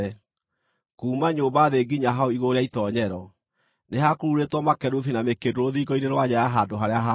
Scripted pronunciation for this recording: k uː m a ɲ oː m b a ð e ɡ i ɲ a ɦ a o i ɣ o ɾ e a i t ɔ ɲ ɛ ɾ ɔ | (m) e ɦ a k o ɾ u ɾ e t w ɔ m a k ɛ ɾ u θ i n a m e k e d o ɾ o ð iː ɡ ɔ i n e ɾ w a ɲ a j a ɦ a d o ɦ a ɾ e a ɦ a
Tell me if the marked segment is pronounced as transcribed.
no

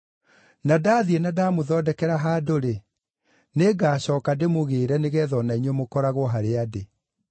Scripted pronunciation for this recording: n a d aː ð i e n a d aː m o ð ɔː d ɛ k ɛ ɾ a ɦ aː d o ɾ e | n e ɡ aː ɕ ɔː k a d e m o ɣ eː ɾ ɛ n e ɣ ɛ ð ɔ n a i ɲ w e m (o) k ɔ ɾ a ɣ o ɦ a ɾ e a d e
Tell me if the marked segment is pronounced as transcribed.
yes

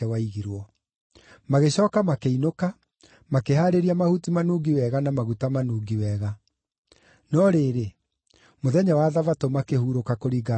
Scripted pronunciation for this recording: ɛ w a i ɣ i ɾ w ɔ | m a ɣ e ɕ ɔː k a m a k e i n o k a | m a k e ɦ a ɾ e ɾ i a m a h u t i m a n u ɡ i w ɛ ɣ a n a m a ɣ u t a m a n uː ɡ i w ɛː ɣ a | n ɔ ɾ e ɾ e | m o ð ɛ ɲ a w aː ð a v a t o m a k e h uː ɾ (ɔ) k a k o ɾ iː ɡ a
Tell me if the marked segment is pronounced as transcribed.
no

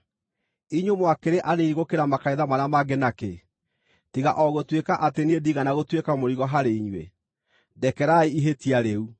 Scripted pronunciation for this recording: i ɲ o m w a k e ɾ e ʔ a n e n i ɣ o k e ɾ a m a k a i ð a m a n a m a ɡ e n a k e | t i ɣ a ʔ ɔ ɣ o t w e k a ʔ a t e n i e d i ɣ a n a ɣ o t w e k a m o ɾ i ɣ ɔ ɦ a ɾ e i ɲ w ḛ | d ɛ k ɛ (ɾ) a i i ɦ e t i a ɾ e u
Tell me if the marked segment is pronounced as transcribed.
yes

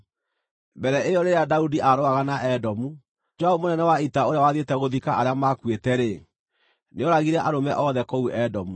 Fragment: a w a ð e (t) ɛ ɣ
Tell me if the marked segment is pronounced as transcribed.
yes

